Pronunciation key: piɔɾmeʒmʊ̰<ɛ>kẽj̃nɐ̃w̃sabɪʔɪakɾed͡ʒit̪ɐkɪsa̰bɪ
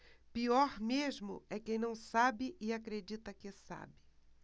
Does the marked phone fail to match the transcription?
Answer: no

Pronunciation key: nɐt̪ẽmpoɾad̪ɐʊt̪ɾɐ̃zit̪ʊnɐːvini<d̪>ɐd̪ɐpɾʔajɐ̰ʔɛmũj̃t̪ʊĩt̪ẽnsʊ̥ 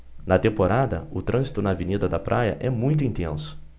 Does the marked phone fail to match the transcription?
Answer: no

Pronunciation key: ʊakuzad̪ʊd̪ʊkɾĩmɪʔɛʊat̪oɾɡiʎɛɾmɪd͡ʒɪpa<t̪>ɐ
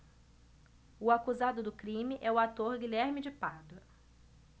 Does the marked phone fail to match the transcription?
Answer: yes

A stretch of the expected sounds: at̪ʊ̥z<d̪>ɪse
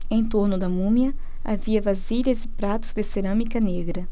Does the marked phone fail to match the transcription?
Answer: no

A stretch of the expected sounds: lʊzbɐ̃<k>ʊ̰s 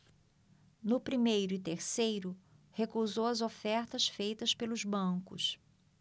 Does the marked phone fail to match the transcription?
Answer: no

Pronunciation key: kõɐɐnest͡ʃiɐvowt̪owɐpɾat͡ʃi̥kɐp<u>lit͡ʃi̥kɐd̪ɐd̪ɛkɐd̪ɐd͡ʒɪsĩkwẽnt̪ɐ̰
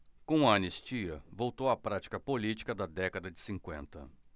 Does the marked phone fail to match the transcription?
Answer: yes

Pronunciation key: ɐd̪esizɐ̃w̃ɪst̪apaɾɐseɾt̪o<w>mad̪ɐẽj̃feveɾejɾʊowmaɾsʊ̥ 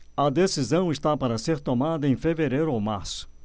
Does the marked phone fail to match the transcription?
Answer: yes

